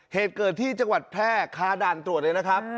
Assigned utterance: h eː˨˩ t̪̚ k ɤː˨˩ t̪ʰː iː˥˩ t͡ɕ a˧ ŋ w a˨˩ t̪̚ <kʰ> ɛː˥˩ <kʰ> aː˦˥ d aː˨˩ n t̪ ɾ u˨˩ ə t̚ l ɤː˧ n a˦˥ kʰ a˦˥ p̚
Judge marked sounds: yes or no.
no, yes

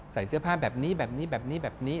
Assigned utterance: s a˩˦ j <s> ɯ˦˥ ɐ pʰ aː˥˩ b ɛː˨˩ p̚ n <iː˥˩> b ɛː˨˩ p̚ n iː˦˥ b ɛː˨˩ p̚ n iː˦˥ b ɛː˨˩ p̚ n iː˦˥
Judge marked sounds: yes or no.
yes, no

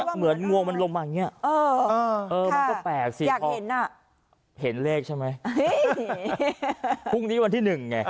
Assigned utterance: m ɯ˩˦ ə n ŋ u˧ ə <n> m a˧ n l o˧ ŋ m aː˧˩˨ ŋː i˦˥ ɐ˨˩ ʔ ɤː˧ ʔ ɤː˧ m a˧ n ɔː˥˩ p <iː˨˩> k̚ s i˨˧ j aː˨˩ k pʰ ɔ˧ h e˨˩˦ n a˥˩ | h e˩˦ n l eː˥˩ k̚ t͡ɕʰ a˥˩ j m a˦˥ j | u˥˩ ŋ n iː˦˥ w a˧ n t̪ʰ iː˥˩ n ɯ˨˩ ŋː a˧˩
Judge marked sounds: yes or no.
no, no

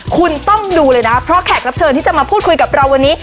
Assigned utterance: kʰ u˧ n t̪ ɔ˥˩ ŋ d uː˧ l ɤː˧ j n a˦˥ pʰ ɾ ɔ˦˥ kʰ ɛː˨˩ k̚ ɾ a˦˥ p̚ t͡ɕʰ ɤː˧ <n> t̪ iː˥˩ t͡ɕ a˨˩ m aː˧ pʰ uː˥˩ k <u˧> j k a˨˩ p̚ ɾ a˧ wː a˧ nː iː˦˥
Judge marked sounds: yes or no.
yes, yes

